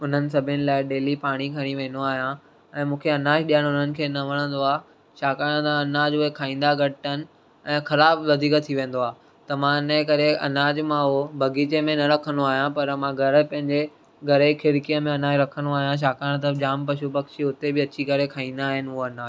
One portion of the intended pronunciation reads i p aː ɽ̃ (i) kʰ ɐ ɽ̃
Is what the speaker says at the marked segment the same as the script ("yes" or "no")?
yes